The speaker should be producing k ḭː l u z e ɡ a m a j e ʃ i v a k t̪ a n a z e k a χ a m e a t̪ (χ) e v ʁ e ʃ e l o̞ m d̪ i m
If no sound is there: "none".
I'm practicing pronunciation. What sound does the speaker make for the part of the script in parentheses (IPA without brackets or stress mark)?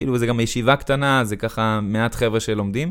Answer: χ